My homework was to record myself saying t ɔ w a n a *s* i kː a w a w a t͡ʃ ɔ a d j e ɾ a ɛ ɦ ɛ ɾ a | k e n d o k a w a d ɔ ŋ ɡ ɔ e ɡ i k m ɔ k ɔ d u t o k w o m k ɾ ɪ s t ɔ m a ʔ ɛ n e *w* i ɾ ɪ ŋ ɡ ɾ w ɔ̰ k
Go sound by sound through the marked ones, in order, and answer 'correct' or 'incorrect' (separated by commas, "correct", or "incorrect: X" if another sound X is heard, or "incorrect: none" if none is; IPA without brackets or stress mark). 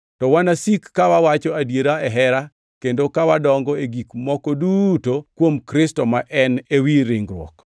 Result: correct, correct